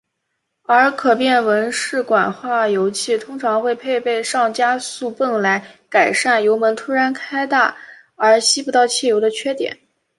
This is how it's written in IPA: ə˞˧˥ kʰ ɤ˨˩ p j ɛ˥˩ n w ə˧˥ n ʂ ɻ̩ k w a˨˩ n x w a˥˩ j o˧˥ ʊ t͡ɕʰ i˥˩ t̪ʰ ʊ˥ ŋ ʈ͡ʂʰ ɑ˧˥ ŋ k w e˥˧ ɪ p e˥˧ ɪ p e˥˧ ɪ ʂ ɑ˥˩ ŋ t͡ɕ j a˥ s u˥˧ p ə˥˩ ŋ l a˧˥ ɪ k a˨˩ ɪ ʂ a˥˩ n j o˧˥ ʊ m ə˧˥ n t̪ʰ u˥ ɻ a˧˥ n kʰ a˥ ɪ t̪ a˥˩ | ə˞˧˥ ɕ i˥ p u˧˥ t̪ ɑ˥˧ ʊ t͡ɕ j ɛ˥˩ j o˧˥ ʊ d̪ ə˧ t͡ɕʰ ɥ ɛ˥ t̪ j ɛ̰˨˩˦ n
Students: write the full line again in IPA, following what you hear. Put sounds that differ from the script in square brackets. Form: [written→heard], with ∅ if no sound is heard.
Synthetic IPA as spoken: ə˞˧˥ kʰ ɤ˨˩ p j ɛ˥˩ n w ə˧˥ n ʂ ɻ̩ k w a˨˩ n x w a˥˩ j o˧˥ ʊ t͡ɕʰ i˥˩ t̪ʰ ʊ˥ ŋ ʈ͡ʂʰ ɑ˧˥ ŋ [k→x] w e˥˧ ɪ [p→pʰ] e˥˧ ɪ p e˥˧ ɪ ʂ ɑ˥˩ ŋ t͡ɕ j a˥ s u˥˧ p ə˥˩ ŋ l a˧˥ ɪ k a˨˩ ɪ ʂ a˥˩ n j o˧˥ ʊ m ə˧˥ n t̪ʰ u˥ ɻ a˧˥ n kʰ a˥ ɪ t̪ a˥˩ | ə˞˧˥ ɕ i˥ p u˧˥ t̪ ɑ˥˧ ʊ [t͡ɕ→t͡ɕʰ] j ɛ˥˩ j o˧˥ ʊ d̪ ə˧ t͡ɕʰ ɥ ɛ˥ t̪ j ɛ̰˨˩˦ n